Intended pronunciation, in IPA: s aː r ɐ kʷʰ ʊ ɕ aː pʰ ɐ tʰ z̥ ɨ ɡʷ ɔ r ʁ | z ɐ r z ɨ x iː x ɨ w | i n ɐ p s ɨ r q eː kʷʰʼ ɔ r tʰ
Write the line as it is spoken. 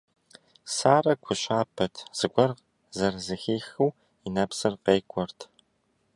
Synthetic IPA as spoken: s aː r ɐ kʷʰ ʊ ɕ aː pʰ ɐ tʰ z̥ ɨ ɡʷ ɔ r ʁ | z ɐ r z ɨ x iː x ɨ w | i n ɐ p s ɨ r q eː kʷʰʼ ɔ r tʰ